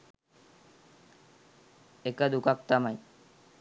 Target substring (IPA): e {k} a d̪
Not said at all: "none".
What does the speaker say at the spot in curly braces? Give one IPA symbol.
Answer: k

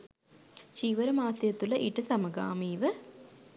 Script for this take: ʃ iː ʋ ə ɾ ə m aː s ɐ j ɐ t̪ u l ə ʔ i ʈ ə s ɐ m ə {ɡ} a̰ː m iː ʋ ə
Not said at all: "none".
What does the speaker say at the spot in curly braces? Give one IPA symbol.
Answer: ɡ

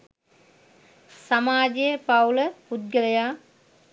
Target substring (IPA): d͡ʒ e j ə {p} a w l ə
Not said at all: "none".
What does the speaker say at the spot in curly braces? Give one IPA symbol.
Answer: p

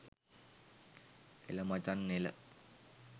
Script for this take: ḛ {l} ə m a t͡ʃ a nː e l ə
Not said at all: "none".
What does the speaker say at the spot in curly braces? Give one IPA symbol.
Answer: l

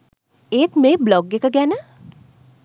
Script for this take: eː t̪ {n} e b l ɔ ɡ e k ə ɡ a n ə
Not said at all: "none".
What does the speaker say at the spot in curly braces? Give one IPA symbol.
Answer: m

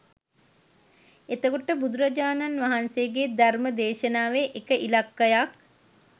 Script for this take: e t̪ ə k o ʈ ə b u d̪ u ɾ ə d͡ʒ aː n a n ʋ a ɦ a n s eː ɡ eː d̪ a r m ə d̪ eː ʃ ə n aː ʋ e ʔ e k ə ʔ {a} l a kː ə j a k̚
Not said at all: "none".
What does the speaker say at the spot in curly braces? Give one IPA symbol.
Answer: i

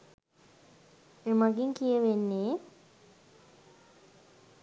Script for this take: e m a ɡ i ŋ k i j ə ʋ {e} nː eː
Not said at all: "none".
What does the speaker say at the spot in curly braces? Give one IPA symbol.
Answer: e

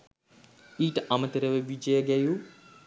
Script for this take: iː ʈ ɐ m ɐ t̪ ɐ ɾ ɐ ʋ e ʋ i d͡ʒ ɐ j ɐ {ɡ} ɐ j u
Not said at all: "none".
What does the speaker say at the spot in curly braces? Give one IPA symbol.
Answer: ɡ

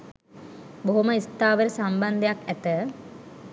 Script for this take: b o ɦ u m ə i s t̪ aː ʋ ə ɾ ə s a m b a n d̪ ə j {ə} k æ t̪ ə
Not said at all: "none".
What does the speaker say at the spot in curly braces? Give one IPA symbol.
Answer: a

